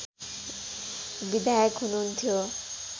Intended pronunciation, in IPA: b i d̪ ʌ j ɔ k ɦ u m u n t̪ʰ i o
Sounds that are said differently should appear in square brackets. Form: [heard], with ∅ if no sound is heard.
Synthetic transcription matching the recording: b i d̪ [a] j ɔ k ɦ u [n] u n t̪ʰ i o